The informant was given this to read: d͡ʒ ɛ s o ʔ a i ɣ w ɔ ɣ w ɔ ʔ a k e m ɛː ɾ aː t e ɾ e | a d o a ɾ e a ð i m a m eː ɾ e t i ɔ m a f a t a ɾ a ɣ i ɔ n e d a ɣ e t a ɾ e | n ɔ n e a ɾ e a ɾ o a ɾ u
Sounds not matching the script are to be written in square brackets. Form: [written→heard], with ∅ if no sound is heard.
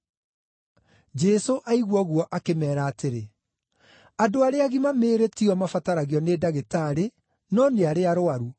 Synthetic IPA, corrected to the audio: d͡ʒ ɛ s o ʔ a i ɣ w ɔ ɣ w ɔ ʔ a k e m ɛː ɾ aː t e ɾ e | a d o a ɾ e a [ð→ɣ] i m a m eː ɾ e t i ɔ m a f a t a ɾ a ɣ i ɔ n e d a ɣ e t a ɾ e | n ɔ n e a ɾ e a ɾ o a ɾ u